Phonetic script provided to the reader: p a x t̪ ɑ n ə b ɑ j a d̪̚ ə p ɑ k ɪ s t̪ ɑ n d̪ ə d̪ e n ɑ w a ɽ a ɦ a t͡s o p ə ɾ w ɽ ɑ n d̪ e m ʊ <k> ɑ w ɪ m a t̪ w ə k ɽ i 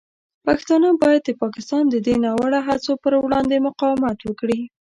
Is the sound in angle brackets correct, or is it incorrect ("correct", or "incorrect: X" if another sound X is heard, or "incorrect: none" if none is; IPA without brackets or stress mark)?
incorrect: q